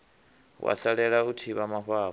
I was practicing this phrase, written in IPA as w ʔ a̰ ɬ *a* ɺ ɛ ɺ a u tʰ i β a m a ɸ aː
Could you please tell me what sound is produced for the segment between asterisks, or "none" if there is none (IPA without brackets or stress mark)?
a